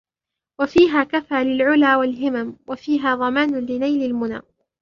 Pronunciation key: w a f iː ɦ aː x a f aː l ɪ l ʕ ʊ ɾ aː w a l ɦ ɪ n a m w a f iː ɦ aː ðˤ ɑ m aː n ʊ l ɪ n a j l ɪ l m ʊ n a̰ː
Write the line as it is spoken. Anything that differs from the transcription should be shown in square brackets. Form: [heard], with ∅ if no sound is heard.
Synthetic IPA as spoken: w a f iː ɦ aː [k] a f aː l ɪ l ʕ ʊ [l] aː w a l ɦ ɪ [m] a m w a f iː ɦ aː ðˤ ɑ m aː n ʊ l ɪ n a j l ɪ l m ʊ n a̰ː